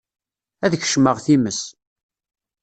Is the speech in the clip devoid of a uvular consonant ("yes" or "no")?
no